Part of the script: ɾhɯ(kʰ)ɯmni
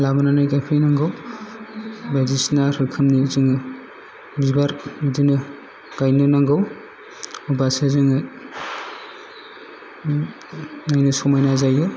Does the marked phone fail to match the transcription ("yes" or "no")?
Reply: no